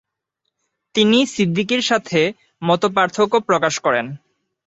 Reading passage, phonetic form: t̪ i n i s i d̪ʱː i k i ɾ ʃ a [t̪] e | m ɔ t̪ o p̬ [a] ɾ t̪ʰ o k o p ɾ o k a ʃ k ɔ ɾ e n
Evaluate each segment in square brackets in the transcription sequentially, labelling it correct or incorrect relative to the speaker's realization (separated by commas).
incorrect, correct